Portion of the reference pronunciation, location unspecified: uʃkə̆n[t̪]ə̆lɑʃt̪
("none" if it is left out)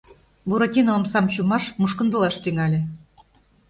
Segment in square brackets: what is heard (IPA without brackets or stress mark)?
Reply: d̪